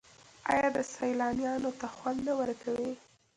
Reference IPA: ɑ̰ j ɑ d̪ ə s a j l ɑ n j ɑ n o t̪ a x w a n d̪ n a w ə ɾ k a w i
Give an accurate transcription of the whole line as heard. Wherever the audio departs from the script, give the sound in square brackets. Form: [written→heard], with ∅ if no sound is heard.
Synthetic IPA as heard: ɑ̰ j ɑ d̪ ə s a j l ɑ n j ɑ n o t̪ a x w a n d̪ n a w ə ɾ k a w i